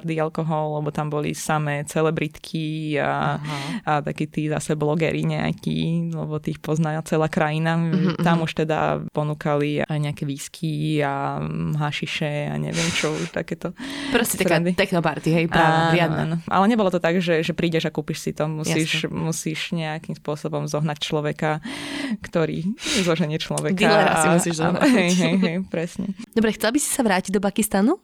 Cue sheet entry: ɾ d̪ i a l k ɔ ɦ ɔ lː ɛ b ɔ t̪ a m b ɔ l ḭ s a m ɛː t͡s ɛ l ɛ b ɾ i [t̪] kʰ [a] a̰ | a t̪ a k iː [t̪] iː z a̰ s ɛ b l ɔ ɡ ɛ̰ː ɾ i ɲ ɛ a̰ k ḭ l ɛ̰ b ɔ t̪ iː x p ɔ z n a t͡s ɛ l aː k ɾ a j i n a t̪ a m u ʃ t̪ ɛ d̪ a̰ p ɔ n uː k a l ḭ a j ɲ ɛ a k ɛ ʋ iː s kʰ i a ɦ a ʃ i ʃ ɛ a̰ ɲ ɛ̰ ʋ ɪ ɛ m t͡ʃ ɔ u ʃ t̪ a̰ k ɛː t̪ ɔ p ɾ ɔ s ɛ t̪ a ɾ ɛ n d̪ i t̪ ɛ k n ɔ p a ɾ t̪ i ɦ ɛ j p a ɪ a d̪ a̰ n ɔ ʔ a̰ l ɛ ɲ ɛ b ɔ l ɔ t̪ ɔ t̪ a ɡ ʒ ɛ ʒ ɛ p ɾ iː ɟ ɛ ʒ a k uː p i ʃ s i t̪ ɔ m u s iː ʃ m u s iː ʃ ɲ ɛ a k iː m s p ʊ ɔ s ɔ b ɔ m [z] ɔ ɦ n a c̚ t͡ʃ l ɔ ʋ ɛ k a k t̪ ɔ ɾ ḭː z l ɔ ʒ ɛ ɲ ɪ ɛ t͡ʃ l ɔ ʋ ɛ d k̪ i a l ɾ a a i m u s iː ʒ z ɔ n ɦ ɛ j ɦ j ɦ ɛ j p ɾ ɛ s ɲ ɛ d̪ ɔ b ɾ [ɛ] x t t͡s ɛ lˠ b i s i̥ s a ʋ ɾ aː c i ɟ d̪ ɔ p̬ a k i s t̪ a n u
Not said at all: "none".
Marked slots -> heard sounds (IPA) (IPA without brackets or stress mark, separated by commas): t̪, i, t̪, z, ɛ